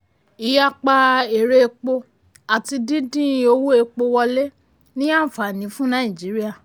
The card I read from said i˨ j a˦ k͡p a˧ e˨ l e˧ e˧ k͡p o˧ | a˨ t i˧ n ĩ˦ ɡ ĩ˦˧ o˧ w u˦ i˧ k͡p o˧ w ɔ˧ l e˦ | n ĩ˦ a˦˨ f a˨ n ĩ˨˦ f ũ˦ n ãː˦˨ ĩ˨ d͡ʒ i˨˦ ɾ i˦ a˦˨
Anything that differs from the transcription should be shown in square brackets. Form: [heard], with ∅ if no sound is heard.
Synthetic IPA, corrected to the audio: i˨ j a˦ k͡p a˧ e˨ [ɾ] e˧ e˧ k͡p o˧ | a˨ t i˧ [d] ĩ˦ [d] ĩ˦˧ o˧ w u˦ [e˧] k͡p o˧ w ɔ˧ l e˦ | n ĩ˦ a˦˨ f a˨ n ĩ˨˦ f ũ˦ n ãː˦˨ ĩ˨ d͡ʒ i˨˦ ɾ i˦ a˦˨

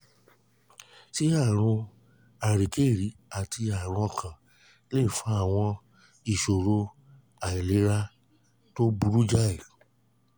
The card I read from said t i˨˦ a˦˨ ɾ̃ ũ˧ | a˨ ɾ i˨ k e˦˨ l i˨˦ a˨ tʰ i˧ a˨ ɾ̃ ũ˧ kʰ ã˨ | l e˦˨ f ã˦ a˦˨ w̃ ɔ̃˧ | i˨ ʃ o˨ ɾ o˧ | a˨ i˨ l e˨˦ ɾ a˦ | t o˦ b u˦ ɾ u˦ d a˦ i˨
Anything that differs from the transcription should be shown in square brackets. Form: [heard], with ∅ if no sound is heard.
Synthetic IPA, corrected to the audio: t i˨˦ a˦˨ ɾ̃ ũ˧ | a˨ ɾ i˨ k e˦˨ [ɾ] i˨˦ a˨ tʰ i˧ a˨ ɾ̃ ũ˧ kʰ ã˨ | l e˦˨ f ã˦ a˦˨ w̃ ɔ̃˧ | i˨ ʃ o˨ ɾ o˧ | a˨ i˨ l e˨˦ ɾ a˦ | t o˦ b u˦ ɾ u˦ [d͡ʒ] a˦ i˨

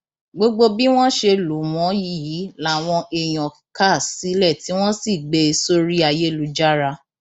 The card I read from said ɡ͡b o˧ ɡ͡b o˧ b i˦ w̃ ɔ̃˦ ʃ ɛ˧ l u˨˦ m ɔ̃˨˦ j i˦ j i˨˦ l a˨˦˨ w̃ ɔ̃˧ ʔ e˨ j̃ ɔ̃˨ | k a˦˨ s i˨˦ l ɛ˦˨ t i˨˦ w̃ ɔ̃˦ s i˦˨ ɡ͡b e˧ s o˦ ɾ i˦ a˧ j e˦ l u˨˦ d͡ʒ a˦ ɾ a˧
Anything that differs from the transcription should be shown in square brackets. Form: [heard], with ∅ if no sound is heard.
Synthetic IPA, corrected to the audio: ɡ͡b o˧ ɡ͡b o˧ b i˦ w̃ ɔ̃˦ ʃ [e˧] l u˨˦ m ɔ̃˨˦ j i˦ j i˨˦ l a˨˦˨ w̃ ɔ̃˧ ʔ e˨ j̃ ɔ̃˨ | k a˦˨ s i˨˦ l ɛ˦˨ t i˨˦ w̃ ɔ̃˦ s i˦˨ ɡ͡b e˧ s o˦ ɾ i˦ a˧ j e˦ l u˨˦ d͡ʒ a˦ ɾ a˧

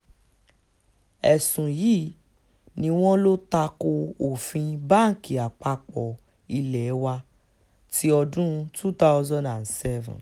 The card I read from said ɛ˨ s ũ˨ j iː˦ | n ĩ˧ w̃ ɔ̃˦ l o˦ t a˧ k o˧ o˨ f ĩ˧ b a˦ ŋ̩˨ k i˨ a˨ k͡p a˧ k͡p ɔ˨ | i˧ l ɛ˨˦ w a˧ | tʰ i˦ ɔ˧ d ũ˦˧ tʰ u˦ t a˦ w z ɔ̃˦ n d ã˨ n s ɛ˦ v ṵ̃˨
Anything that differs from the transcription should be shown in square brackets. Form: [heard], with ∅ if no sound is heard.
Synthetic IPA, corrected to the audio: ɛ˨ s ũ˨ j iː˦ | n ĩ˧ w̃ ɔ̃˦ l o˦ t a˧ k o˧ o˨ f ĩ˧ b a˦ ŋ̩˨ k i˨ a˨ k͡p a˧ k͡p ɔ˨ | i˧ l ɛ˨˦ w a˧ | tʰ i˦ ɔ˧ d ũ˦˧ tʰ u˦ t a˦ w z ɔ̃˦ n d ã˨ n s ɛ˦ v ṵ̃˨

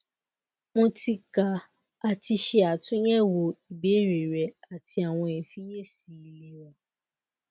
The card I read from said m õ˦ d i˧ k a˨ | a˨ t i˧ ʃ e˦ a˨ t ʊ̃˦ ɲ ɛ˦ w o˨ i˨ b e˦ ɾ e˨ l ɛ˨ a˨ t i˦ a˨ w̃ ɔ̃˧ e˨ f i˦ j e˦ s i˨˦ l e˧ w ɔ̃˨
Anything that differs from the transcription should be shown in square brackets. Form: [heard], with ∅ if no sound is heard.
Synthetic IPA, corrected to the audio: m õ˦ [t] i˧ k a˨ | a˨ t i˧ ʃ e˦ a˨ t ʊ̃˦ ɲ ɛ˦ w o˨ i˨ b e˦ ɾ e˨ [ɾ] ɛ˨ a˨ t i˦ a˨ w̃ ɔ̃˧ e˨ f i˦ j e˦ s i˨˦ l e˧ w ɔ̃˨

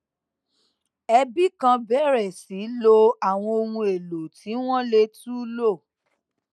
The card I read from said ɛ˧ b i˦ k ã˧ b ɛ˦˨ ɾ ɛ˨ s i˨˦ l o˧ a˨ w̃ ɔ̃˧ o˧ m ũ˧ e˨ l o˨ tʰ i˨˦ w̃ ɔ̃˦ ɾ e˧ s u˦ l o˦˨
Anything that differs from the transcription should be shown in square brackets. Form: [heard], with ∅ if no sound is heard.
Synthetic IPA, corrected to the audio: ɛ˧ b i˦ k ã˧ b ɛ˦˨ ɾ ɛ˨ s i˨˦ l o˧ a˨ w̃ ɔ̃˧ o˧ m ũ˧ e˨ l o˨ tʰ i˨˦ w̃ ɔ̃˦ [l] e˧ [t] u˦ l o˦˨

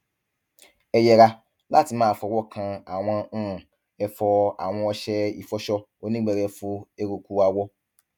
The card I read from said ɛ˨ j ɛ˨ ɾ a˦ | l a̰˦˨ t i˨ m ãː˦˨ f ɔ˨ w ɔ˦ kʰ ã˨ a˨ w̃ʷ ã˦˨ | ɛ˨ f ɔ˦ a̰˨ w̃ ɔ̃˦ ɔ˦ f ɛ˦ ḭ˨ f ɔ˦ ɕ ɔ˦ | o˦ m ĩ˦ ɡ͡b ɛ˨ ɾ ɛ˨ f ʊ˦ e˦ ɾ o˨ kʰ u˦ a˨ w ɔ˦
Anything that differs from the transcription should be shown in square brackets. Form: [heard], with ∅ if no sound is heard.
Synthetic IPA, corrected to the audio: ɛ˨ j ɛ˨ ɾ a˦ | l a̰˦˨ t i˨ m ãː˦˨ f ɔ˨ w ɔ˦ kʰ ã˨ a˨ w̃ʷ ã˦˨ | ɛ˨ f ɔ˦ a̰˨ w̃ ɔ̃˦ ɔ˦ [ɕ] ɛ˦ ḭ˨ f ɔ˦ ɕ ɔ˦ | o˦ [n] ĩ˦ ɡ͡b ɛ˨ ɾ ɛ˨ f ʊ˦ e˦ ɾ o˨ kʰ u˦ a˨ w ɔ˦

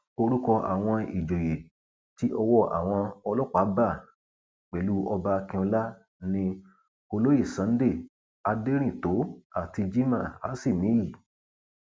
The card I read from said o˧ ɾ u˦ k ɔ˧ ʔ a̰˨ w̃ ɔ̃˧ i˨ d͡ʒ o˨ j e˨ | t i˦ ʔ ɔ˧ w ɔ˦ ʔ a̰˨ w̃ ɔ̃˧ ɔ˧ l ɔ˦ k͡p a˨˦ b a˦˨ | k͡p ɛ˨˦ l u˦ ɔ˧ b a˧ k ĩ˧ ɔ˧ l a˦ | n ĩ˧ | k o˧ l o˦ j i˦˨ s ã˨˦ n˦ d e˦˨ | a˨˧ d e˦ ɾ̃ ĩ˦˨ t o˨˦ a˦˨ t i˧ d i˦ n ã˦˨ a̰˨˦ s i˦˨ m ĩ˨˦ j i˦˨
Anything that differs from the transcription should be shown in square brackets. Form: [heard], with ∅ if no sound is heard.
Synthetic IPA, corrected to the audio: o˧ ɾ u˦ k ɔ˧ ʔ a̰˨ w̃ ɔ̃˧ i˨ d͡ʒ o˨ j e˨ | t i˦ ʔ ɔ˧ w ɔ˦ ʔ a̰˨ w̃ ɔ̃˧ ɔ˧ l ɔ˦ k͡p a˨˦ b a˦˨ | k͡p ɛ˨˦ l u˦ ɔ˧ b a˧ k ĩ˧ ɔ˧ l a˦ | n ĩ˧ | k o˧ l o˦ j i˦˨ s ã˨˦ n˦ d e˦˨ | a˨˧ d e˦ ɾ̃ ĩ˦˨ t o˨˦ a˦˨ t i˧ [d͡ʒ] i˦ [m] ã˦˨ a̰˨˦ s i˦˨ m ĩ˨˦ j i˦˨

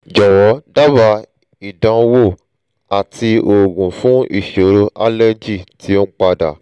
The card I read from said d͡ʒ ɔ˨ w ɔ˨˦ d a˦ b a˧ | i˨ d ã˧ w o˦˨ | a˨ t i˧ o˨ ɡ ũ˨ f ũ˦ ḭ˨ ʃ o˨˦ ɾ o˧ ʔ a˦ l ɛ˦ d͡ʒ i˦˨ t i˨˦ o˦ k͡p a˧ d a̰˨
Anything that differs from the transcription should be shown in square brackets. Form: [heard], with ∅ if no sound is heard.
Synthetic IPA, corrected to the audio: d͡ʒ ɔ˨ w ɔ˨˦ d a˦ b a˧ | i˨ d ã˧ w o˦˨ | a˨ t i˧ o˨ ɡ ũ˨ f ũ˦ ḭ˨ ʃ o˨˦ ɾ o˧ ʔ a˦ l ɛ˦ d͡ʒ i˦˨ t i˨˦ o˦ k͡p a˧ d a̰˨

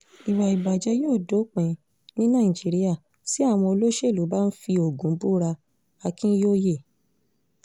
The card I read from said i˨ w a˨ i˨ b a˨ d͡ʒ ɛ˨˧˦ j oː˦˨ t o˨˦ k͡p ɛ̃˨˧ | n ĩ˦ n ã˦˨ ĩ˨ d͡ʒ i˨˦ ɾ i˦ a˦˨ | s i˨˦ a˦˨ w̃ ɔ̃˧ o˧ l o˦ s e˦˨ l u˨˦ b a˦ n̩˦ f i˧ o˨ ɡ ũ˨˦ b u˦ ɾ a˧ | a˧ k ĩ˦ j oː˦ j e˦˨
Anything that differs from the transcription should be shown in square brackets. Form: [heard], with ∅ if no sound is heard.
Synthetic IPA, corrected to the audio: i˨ w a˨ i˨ b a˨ d͡ʒ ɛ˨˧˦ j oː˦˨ [d] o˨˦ k͡p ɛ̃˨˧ | n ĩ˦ n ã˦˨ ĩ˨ d͡ʒ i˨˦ ɾ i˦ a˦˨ | s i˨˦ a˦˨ w̃ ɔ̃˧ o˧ l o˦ [ʃ] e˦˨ l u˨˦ b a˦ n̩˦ f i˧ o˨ ɡ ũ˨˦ b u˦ ɾ a˧ | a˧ k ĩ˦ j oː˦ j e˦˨

